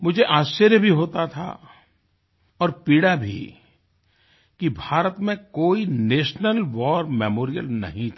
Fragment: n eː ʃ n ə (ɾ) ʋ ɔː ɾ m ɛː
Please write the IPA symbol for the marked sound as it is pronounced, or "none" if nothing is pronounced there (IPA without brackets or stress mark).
l